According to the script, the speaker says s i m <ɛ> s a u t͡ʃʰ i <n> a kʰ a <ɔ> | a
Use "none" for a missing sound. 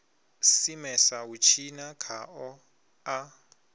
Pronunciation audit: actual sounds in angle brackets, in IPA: ɛ, n, ɔ

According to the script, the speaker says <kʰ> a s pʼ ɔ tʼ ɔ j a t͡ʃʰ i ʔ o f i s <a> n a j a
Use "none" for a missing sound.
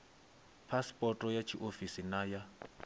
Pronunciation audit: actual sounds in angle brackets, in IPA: pʰ, i

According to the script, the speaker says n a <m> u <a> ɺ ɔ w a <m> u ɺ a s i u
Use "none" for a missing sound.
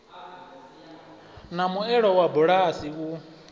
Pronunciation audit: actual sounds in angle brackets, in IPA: m, ɛ, b

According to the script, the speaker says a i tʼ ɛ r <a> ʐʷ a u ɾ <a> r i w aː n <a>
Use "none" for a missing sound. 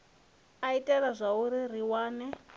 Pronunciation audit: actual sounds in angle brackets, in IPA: a, i, ɛ

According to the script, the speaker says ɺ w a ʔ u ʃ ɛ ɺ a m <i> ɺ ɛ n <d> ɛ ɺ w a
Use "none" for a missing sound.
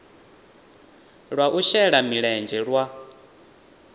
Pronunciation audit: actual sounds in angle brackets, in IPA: i, d͡ʒ

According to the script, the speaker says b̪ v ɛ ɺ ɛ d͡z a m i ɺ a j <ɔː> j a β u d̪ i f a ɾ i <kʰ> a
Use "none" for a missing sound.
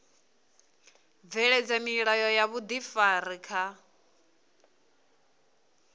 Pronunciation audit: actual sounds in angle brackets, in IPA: ɔ, kʰ

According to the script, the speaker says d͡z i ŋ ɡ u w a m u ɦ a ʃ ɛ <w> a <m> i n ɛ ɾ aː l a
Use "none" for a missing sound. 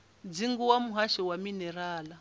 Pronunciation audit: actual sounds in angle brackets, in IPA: w, m

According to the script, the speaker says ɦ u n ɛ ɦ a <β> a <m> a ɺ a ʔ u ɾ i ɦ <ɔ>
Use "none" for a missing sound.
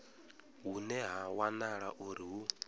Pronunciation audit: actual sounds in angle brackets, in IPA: w, n, u

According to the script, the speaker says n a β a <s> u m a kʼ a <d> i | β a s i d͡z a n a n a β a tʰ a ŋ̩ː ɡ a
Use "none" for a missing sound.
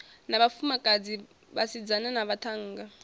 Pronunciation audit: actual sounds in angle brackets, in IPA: f, d͡z

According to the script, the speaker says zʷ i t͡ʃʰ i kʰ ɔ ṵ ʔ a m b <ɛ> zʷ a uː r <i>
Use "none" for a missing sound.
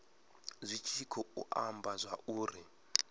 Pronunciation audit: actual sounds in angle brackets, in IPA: a, i

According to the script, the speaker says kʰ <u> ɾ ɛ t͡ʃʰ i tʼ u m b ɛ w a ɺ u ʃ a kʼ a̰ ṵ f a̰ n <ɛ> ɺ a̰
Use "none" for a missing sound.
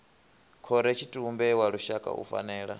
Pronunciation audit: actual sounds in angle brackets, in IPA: ɔ, ɛː

